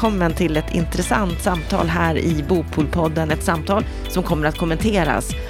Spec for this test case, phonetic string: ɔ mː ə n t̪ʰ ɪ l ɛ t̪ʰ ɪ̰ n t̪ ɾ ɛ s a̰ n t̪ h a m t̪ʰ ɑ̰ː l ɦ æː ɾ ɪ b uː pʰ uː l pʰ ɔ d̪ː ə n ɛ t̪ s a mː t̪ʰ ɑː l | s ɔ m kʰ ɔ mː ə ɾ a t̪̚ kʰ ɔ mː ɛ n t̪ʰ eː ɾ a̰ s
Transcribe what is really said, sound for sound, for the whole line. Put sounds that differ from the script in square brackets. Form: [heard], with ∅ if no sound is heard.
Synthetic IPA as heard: ɔ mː ə n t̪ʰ ɪ l ɛ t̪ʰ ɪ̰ n t̪ ɾ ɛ s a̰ n t̪ [s] a m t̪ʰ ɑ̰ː l ɦ æː ɾ ɪ b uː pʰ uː l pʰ ɔ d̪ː ə n ɛ t̪ s a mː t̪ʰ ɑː l | s ɔ m kʰ ɔ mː ə ɾ a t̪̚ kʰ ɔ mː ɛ n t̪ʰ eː ɾ a̰ s